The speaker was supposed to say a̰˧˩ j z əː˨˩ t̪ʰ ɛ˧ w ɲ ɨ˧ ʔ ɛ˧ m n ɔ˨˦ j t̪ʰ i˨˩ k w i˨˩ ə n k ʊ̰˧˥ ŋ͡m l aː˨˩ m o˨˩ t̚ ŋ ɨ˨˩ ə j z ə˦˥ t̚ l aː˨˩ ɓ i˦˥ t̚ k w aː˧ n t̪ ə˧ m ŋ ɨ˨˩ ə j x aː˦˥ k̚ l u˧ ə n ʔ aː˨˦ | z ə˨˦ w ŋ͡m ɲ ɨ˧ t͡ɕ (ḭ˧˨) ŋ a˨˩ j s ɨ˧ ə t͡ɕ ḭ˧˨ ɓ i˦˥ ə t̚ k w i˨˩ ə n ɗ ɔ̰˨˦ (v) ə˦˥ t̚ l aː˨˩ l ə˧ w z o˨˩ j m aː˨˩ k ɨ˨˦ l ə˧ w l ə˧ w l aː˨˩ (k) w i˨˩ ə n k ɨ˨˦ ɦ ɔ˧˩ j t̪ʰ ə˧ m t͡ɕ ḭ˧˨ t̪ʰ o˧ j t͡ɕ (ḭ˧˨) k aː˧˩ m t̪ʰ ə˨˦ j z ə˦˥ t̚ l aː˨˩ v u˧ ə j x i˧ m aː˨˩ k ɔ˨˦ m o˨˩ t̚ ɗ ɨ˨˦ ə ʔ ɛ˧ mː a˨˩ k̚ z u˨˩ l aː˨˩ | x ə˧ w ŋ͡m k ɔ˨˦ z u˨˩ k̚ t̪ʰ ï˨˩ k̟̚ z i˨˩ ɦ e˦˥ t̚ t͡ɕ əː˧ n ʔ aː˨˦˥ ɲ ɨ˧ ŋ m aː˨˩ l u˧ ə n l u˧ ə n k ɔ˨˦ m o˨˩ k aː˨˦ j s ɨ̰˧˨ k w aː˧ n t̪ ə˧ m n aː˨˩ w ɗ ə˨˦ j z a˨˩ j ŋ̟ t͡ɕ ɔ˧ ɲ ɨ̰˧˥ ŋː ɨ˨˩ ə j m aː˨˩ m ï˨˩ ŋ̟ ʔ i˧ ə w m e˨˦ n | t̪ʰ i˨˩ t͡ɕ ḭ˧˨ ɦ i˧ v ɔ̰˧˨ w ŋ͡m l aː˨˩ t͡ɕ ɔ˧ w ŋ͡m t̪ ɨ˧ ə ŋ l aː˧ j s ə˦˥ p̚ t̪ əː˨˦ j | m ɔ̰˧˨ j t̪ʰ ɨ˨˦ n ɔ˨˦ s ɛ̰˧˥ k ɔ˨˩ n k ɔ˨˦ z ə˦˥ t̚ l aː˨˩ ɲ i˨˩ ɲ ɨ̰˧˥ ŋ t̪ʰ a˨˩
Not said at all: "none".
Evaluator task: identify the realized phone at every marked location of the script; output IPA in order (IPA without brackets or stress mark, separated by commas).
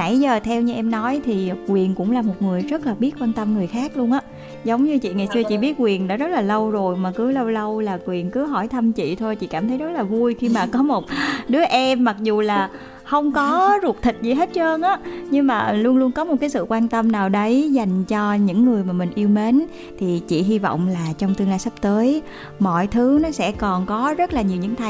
ḭ˧˨, z, k, ḭ˧˨